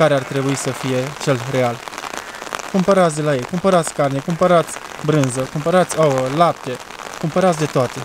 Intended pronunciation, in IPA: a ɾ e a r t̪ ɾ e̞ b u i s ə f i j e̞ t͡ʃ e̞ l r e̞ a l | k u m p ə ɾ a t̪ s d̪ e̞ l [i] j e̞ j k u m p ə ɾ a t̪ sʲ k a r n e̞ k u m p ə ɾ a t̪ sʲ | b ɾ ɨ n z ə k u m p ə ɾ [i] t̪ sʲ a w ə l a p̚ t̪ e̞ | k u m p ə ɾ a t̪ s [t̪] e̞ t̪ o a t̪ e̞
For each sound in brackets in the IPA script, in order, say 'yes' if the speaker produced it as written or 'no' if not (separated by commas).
no, no, no